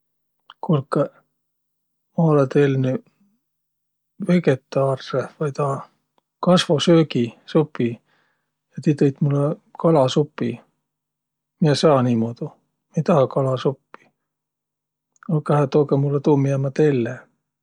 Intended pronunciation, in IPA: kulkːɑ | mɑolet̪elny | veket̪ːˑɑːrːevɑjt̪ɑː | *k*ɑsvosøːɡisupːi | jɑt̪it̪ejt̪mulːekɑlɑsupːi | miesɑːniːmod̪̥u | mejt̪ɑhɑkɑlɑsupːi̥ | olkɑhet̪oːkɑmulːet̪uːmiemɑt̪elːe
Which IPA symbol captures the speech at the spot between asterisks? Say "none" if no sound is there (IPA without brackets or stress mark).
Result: k